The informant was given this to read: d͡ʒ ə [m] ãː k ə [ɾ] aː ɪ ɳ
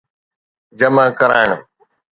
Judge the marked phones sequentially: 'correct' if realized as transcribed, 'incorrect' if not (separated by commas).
correct, correct